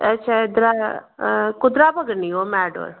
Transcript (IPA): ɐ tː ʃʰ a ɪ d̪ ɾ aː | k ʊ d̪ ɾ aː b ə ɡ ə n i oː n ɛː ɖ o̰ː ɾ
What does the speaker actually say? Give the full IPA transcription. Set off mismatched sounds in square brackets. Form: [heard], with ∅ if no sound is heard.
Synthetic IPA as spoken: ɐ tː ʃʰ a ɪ d̪ ɾ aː | k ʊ d̪ ɾ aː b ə ɡ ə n i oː [m] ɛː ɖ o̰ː ɾ